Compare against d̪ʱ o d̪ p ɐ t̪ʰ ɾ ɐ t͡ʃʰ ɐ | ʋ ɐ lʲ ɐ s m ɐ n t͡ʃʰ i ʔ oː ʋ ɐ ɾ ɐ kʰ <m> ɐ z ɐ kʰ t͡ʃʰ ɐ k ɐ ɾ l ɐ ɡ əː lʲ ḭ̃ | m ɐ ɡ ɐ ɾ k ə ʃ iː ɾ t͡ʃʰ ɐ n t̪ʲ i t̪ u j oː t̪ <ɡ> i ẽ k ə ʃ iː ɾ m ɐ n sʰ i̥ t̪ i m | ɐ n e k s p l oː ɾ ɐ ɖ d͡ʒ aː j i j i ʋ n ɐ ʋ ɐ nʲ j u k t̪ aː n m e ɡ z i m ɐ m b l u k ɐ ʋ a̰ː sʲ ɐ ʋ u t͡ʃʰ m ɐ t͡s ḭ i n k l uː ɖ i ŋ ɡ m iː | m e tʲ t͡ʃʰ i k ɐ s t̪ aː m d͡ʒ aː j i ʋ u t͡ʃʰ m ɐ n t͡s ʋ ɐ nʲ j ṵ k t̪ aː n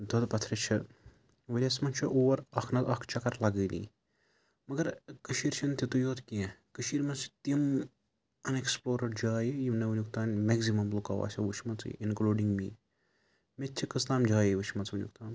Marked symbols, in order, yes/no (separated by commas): no, no